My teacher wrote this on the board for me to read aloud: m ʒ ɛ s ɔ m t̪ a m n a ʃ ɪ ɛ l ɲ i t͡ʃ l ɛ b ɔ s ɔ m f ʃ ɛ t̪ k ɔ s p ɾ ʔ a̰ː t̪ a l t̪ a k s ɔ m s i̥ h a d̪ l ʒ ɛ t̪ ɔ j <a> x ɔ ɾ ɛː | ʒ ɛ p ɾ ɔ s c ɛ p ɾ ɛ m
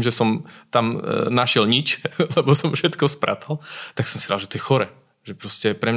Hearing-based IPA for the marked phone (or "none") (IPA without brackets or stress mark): ɛ